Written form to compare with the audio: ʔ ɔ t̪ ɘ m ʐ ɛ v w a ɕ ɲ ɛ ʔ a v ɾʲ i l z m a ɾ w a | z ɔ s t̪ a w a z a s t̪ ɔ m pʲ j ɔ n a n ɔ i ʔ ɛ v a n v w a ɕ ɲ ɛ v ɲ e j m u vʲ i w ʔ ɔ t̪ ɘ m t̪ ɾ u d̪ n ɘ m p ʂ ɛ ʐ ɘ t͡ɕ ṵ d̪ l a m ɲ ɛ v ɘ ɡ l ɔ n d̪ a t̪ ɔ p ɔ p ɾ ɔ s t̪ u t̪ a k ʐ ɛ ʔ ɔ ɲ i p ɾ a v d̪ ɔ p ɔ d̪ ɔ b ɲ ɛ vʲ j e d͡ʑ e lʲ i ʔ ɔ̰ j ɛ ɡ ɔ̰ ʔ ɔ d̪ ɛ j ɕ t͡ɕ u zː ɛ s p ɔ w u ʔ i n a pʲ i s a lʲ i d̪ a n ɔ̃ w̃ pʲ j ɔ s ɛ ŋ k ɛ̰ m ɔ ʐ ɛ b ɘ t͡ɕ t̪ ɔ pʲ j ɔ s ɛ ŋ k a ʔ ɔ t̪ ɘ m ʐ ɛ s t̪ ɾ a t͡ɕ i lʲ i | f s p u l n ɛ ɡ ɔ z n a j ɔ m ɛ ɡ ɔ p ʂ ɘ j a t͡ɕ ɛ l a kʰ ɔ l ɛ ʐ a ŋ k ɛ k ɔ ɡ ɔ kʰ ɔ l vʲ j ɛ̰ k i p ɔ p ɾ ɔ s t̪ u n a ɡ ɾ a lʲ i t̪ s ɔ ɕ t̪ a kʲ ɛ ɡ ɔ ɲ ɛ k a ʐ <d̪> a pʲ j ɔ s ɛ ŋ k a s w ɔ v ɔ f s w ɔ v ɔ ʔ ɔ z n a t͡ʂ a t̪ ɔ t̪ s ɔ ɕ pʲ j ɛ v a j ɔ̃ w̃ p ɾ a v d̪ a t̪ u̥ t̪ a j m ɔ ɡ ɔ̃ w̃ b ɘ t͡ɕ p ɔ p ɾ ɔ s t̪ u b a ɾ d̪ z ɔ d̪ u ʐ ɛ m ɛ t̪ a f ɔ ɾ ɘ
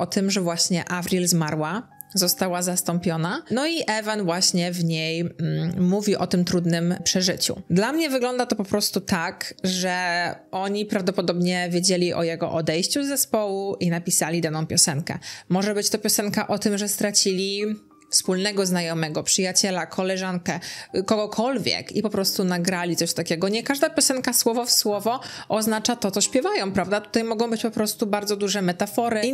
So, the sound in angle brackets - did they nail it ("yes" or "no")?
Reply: yes